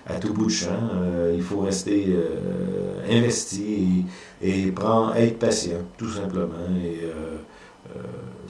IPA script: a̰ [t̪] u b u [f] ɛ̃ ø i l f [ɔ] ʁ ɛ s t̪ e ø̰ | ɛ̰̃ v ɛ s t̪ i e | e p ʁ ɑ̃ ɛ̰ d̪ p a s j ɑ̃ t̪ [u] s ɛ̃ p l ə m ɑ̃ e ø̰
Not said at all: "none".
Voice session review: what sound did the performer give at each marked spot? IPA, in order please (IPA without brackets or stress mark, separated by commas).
t̪, ʃ, o, u